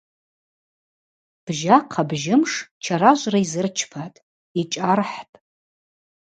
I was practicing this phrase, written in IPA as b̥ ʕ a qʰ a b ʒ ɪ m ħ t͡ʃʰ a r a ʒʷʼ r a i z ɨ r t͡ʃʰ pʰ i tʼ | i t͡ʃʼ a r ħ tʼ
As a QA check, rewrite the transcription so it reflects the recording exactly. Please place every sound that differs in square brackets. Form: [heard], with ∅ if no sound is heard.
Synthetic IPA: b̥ [ʒ] a qʰ a b ʒ ɪ m [ʂ] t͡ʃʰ a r a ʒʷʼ r a i z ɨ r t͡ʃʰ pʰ [a] tʼ | i t͡ʃʼ a r ħ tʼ

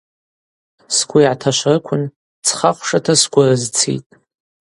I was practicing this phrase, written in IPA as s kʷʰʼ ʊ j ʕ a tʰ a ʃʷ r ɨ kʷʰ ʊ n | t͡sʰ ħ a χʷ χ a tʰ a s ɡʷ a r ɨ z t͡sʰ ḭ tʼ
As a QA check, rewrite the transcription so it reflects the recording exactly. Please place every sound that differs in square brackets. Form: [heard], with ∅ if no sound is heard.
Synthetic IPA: s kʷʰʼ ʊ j ʕ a tʰ a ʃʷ r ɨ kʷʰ ʊ n | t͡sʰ [χ] a χʷ [ʂ] a tʰ a s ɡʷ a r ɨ z t͡sʰ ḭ tʼ

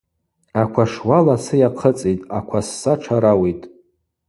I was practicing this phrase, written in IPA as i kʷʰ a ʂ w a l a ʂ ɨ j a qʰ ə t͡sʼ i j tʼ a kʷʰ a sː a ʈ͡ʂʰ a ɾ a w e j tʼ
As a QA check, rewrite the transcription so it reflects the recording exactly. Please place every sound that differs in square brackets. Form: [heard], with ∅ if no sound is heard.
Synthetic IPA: [a] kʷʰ a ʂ w a l a [s] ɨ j a qʰ ə t͡sʼ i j tʼ a kʷʰ a sː a ʈ͡ʂʰ a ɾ a w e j tʼ

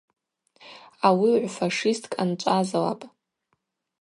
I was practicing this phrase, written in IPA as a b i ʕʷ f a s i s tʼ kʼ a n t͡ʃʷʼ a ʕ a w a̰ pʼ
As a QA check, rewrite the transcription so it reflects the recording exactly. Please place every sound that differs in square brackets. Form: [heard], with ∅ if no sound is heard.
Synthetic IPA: a [w] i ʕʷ f a [ʂ] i s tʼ kʼ a n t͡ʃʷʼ a [z] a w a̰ pʼ

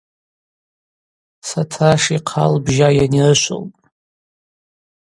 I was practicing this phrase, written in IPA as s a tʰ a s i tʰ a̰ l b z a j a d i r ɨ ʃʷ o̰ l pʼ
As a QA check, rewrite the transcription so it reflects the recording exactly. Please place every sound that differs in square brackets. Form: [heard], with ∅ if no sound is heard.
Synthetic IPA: s a tʰ a [ʂ] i [qʰ] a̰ l b [ʒ] a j a [n] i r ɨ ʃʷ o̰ l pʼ

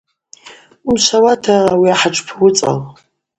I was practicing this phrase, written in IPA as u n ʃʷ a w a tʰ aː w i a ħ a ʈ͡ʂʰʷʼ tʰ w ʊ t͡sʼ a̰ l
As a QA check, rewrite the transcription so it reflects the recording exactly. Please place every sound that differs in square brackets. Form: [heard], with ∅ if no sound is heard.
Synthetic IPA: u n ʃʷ a w a tʰ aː w i a ħ a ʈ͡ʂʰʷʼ [pʰ] w ʊ t͡sʼ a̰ l

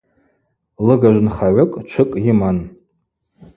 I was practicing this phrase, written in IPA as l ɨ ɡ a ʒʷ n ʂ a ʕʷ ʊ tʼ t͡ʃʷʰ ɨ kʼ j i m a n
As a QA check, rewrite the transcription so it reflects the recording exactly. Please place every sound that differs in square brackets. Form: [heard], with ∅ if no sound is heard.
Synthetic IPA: l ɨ ɡ a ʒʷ n [χ] a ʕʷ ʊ [kʼ] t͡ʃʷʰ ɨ kʼ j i m a n

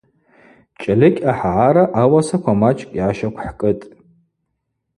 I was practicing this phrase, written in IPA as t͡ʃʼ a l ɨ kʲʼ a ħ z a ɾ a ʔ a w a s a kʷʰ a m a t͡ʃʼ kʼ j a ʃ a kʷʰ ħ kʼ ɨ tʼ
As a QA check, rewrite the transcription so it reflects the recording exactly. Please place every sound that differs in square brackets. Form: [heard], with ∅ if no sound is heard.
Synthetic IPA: t͡ʃʼ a l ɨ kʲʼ a ħ [ʕ] a ɾ a ʔ a w a s a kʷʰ a m a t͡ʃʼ kʼ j a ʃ a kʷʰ ħ kʼ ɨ tʼ

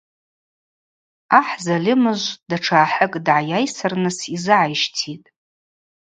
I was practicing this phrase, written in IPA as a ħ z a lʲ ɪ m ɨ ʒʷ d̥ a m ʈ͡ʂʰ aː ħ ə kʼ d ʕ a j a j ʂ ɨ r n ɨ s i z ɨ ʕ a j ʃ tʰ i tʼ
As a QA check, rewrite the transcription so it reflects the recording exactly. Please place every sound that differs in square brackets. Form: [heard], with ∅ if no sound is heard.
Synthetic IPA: a ħ z a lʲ ɪ m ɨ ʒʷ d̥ a [∅] ʈ͡ʂʰ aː ħ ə kʼ d ʕ a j a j [s] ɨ r n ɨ s i z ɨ ʕ a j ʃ tʰ i tʼ

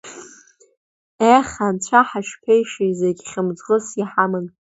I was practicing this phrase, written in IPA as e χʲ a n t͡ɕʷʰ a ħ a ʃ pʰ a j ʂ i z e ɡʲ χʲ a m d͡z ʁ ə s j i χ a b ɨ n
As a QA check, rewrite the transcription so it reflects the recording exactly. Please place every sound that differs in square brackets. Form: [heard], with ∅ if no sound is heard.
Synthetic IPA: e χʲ a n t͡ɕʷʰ a ħ a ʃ pʰ [e] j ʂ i z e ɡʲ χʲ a m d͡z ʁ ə s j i [ħ] a [m] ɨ n

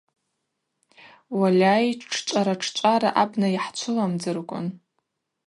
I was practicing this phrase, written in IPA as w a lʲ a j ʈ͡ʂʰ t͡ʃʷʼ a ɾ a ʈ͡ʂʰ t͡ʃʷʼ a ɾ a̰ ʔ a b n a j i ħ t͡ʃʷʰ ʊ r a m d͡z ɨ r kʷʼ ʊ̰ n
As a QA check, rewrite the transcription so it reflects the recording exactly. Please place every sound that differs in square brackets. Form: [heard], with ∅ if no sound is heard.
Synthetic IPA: w a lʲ a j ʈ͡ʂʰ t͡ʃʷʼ a ɾ a ʈ͡ʂʰ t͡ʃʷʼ a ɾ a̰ ʔ a b n a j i ħ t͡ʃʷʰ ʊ [l] a m d͡z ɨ r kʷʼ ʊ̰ n

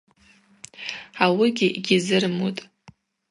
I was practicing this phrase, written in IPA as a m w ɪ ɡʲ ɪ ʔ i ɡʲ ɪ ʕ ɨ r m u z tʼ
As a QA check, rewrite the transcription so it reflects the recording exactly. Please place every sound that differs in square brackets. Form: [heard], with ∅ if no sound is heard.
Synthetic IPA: a [∅] w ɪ ɡʲ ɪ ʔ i ɡʲ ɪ [z] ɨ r m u [∅] tʼ

